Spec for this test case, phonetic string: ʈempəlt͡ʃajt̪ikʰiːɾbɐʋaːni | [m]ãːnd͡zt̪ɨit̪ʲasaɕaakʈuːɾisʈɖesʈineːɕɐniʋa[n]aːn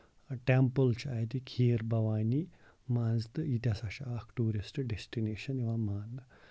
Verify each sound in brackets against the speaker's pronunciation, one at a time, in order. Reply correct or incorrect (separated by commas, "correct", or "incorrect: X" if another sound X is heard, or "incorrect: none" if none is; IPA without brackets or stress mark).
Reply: correct, incorrect: m